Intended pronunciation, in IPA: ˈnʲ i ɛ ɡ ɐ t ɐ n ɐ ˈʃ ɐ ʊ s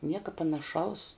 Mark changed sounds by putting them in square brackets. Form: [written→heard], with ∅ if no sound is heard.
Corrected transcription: ˈnʲ i ɛ [ɡ→k] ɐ [t→p] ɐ n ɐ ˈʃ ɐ ʊ s